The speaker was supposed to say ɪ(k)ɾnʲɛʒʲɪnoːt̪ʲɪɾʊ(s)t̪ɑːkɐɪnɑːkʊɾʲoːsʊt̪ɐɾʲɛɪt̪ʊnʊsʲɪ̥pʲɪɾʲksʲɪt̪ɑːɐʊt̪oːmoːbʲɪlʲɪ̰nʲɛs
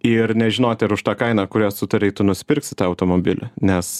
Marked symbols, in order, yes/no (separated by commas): no, no